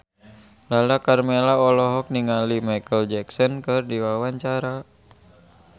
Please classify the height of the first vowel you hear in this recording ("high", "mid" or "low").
low